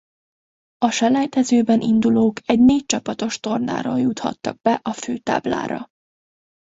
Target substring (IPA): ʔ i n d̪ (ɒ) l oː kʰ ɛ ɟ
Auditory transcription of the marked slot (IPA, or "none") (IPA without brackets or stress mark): u